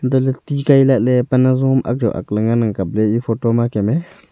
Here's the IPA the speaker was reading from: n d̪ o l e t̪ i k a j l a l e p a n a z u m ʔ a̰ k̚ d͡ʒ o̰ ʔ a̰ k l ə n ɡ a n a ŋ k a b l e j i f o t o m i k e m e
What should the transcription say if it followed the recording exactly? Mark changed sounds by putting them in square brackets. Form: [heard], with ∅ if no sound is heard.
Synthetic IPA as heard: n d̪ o l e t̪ i k a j l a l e p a n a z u m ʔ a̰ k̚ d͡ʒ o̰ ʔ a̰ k l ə [ŋ] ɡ a n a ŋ k a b l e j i f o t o m [a] k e m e